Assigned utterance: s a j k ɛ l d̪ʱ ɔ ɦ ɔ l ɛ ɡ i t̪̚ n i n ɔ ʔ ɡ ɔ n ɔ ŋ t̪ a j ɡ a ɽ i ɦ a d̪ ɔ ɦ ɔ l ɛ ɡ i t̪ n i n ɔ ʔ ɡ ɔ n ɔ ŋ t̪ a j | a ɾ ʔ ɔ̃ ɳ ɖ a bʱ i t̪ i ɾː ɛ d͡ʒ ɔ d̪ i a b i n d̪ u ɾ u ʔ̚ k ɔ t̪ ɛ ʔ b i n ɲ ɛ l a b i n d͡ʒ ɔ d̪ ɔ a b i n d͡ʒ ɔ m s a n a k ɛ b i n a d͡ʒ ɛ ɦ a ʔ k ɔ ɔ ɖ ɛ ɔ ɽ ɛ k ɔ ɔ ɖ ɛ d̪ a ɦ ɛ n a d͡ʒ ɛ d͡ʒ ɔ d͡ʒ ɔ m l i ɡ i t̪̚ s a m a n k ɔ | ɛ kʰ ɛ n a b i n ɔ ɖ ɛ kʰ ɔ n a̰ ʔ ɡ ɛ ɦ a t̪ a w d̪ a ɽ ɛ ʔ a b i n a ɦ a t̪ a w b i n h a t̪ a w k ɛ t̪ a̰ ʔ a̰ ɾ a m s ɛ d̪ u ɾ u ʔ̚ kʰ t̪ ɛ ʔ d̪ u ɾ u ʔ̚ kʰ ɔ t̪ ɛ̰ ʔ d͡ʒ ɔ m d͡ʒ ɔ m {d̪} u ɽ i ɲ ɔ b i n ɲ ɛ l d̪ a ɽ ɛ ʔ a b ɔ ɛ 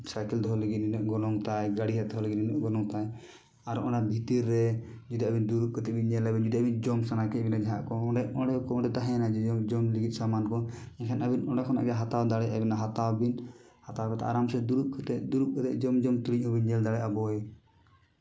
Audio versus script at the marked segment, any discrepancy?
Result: yes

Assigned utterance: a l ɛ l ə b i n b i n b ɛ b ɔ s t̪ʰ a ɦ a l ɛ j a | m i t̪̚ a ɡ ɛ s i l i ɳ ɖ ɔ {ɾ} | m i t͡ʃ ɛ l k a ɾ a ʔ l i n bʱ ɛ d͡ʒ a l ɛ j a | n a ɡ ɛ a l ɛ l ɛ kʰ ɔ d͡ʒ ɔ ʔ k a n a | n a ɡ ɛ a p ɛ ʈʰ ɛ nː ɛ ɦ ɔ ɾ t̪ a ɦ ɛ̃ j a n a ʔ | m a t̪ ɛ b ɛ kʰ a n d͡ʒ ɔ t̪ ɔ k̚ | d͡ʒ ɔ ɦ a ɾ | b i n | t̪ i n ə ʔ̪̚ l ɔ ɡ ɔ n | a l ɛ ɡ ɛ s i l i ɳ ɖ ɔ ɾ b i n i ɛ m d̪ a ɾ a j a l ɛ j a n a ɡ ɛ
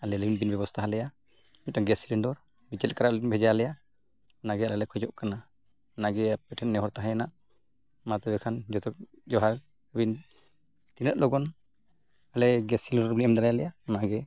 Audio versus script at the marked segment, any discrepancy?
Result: no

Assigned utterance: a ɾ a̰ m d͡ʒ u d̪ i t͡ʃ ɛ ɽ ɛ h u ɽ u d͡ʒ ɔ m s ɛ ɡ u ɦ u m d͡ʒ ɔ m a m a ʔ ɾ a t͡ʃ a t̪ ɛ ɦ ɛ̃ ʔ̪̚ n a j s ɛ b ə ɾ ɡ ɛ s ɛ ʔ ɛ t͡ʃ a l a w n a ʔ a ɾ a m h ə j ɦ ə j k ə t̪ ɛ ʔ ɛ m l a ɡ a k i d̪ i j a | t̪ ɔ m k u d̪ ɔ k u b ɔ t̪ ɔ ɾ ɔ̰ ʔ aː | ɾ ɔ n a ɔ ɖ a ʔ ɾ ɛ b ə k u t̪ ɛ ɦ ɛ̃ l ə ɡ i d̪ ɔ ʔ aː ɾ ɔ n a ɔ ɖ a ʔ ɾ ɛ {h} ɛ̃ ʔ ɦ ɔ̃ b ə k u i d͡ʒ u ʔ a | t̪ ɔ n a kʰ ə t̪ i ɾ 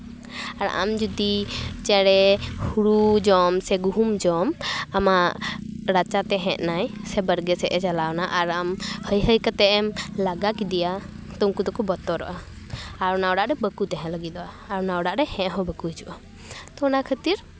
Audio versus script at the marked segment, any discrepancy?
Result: no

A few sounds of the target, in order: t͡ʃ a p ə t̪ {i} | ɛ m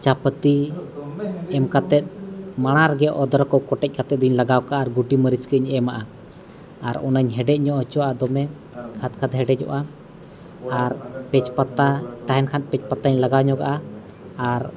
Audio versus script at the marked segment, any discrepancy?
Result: no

